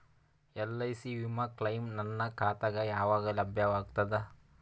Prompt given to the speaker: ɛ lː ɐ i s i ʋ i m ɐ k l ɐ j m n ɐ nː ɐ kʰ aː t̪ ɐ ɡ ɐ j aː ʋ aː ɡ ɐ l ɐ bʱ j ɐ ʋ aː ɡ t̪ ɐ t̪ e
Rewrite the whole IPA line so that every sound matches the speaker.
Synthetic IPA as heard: ɛ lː ɐ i s i ʋ i m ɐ k l ɐ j m n ɐ nː ɐ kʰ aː t̪ ɐ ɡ ɐ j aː ʋ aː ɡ ɐ l ɐ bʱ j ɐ ʋ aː ɡ t̪ ɐ d̪ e